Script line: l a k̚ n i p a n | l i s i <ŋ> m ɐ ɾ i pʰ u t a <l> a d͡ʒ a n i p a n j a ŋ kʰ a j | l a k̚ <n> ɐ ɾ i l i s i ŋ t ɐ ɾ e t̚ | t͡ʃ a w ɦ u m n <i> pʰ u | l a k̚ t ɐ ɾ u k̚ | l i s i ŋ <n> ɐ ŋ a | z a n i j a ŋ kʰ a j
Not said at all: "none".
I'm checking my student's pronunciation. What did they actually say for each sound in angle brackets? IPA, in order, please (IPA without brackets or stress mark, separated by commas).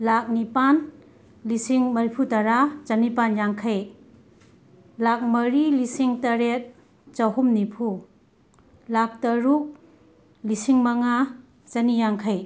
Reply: ŋ, ɾ, m, i, m